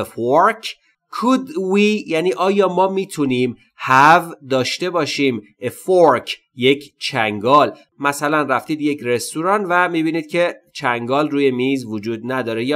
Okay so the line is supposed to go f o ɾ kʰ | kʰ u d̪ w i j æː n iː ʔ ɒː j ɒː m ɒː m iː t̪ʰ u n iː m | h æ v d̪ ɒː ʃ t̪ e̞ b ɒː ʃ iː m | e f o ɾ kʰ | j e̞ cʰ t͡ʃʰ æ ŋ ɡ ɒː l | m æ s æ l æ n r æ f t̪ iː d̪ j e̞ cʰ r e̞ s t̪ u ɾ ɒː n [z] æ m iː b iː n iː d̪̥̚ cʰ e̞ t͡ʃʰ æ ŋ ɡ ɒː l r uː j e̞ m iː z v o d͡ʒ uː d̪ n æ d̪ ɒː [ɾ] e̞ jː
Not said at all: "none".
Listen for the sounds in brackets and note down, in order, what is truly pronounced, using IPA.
v, ɾ

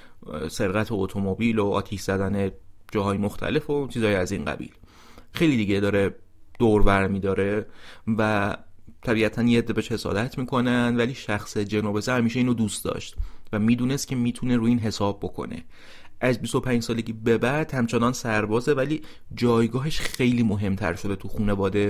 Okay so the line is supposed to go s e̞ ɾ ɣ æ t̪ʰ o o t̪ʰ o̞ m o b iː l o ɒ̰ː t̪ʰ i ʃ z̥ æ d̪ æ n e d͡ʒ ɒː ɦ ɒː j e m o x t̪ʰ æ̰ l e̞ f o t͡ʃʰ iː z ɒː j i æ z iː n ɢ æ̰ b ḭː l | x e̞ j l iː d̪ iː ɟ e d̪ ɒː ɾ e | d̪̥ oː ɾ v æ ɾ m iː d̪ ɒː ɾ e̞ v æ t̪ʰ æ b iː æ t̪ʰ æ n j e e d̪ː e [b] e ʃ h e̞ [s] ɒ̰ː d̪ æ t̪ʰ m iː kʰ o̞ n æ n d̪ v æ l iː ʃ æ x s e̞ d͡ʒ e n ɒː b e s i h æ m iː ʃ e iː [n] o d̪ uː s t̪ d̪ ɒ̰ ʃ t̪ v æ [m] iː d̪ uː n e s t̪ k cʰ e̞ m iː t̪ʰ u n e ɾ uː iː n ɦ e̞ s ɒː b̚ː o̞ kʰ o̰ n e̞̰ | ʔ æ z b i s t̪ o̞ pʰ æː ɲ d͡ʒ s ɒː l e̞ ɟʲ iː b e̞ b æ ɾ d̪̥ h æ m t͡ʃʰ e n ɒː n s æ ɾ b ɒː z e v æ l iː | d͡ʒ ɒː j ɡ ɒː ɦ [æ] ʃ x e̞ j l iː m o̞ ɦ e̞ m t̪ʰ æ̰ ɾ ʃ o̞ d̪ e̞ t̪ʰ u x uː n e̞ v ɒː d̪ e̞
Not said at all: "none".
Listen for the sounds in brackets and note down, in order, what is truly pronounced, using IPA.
b, s, n, m, e

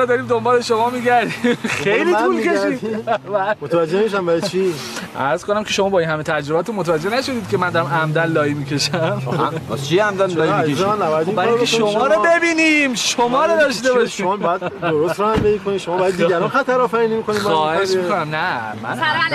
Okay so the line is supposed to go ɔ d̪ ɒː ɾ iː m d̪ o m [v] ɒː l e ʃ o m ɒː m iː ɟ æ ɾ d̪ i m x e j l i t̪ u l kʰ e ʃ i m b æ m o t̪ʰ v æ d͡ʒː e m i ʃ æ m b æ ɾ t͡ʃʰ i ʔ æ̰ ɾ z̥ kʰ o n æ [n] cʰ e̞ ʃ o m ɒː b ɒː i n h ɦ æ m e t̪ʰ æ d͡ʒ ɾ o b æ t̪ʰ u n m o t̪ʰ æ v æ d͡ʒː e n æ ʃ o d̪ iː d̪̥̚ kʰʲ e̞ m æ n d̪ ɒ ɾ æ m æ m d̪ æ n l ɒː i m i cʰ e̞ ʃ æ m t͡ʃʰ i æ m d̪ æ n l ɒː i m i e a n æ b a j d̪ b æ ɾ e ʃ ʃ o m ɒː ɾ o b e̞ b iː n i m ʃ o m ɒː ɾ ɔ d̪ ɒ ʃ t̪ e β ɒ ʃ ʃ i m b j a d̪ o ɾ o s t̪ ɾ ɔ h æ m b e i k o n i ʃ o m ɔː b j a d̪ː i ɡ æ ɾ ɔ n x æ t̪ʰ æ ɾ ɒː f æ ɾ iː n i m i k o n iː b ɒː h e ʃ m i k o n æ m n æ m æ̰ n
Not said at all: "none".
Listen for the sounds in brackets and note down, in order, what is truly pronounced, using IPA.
b, m

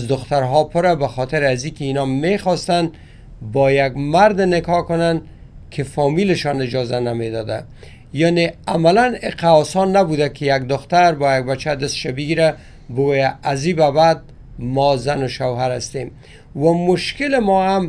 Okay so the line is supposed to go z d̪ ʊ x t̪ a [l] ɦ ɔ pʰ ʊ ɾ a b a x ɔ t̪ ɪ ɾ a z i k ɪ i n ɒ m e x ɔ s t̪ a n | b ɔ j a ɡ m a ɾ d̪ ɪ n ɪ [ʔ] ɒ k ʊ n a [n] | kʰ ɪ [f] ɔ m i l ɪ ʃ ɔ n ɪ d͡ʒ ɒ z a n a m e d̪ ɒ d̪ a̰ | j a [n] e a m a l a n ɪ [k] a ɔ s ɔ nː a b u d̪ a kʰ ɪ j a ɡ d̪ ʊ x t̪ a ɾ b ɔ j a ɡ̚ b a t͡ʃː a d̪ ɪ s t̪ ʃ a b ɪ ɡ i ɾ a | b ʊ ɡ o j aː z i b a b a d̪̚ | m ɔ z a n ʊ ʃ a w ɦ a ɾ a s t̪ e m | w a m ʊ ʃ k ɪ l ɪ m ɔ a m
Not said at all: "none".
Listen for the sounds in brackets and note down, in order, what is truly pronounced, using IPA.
ɾ, k, n, f, n, q

